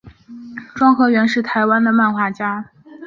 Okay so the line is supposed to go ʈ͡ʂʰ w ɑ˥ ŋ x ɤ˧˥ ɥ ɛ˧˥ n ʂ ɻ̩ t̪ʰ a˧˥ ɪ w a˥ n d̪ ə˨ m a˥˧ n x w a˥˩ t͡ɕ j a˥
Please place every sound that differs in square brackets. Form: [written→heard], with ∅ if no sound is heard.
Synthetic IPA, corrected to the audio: [ʈ͡ʂʰ→ʈ͡ʂ] w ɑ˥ ŋ x ɤ˧˥ ɥ ɛ˧˥ n ʂ ɻ̩ t̪ʰ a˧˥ ɪ w a˥ n d̪ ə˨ m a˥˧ n x w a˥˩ t͡ɕ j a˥